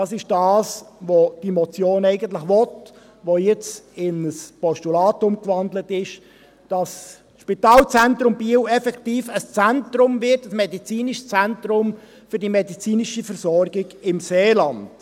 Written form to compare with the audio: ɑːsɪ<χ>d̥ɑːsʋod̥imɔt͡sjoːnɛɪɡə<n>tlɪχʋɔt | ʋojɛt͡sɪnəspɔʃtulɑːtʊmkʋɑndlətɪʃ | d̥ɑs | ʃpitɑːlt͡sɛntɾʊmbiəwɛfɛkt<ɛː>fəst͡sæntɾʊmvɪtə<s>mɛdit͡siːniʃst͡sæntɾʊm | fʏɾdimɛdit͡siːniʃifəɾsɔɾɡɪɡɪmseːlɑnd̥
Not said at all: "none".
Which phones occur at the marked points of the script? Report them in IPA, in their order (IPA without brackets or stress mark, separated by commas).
ʃ, n, iː, s